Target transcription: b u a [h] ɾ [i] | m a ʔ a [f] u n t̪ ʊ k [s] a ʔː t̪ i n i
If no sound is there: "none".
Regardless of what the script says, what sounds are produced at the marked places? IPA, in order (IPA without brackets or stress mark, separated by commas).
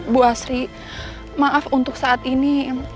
s, i, f, s